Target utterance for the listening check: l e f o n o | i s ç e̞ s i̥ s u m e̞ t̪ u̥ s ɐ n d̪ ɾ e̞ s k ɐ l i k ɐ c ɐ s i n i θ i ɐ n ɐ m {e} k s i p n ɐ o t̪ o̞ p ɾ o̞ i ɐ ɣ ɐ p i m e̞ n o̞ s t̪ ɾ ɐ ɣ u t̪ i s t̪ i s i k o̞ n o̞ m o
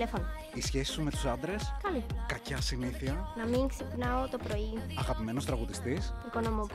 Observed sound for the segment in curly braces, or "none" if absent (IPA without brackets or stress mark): i